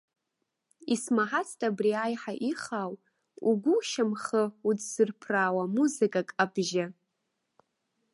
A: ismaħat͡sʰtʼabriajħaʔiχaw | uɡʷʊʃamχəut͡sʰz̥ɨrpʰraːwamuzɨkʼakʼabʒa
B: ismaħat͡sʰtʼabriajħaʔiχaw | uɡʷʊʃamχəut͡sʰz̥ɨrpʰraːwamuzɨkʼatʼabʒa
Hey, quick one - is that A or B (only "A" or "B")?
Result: A